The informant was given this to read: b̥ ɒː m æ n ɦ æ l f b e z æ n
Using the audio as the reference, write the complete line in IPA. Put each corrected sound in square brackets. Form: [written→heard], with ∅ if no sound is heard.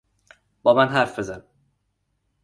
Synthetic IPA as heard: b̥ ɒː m æ n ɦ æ [l→ɾ] f b e z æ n